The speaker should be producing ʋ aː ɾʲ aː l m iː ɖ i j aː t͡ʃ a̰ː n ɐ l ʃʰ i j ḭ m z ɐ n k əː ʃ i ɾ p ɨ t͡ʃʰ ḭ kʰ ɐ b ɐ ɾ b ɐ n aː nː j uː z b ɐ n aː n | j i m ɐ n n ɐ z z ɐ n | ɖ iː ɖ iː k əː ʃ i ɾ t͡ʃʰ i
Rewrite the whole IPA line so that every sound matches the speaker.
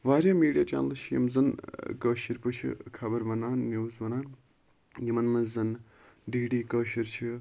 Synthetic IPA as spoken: ʋ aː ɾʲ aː m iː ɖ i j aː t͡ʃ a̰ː n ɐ l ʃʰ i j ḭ m z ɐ n k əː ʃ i ɾ p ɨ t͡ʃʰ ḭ kʰ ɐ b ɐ ɾ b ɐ n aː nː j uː z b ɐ n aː n | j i m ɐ n m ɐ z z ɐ n | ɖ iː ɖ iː k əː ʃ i ɾ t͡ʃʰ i